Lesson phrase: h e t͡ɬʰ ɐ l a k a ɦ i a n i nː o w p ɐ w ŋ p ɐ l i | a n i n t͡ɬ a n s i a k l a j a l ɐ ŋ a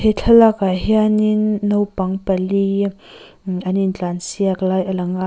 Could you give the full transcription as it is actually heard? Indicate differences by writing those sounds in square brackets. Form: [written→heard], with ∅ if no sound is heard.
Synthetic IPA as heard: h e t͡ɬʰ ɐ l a k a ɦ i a n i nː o w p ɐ [w→∅] ŋ p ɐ l i | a n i n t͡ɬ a n s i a k l a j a l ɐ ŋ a